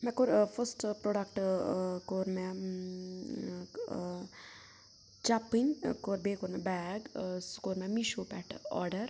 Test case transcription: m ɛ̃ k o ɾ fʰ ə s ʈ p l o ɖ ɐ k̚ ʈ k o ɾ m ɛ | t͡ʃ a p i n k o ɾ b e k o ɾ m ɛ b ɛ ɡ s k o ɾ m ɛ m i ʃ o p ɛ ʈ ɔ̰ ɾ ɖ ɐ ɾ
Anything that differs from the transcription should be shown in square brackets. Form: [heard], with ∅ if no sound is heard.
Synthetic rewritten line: m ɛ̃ k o ɾ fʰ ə s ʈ p [ɾ] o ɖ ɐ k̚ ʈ k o ɾ m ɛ | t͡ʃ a p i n k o ɾ b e k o ɾ m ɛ b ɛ ɡ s k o ɾ m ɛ m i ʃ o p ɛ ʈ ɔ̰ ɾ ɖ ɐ ɾ